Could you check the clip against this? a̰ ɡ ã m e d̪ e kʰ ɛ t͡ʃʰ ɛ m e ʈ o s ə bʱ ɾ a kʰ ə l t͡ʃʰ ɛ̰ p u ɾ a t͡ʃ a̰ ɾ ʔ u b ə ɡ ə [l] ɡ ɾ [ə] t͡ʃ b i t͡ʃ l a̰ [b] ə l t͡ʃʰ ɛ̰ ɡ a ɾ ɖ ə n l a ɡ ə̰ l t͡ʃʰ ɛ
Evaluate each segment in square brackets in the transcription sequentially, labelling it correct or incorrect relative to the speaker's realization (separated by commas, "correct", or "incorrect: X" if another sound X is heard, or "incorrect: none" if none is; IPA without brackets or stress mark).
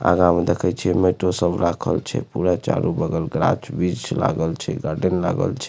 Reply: correct, incorrect: a, incorrect: ɡ